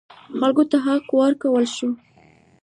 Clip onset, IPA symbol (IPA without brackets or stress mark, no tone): x